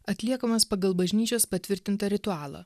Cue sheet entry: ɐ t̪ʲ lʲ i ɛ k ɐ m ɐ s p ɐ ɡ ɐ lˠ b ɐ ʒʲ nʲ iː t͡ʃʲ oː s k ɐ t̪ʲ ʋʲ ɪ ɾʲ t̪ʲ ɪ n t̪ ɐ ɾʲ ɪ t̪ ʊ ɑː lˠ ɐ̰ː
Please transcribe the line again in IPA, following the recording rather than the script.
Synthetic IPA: ɐ t̪ʲ lʲ i ɛ k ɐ m ɐ s p ɐ ɡ ɐ lˠ b ɐ ʒʲ nʲ iː t͡ʃʲ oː s p ɐ t̪ʲ ʋʲ ɪ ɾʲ t̪ʲ ɪ n t̪ ɐ ɾʲ ɪ t̪ ʊ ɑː lˠ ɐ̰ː